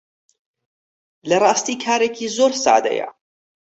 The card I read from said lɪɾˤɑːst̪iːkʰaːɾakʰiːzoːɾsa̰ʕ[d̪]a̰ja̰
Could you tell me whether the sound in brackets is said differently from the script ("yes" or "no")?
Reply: no